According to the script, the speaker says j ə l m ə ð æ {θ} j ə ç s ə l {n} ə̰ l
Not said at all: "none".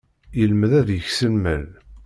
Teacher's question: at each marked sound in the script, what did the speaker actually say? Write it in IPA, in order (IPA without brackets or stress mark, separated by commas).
ð, m